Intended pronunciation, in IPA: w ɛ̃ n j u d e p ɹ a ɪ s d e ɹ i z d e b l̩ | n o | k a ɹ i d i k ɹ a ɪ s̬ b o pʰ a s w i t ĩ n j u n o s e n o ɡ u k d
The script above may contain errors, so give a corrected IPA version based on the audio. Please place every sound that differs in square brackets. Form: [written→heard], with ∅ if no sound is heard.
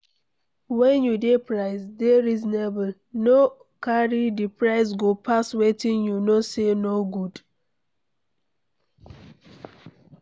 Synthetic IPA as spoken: w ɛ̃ n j u d e p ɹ a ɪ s d e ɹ i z [d→n] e b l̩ | n o | k a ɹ i d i [k→p] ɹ a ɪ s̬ [b→ɡ] o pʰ a s w [i→e] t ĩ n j u n o s e n o ɡ u [k→∅] d